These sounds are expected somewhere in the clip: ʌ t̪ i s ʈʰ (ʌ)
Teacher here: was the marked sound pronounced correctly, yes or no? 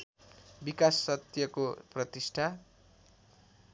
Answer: no